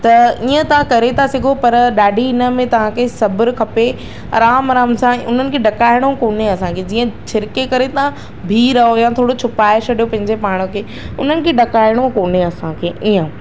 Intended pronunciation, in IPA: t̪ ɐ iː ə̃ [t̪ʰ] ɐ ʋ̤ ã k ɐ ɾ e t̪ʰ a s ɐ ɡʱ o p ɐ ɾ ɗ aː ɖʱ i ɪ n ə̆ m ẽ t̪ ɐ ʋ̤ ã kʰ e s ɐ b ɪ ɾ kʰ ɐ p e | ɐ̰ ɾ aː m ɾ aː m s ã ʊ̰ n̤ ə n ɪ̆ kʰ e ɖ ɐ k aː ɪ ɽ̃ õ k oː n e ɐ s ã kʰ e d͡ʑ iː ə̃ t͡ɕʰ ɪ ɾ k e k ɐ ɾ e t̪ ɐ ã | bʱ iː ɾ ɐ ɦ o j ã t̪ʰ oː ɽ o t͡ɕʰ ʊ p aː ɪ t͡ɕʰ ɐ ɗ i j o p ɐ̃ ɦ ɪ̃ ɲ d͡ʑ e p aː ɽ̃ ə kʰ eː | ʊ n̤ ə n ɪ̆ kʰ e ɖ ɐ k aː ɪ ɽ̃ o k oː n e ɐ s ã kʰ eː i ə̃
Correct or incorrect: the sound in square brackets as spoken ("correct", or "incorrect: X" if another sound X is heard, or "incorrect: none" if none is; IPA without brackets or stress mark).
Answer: incorrect: t̪